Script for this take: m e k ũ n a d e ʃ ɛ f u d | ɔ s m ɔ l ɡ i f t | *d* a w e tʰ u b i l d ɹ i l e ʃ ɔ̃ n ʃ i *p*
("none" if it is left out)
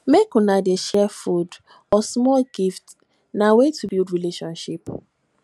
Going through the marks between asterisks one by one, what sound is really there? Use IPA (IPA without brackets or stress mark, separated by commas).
n, p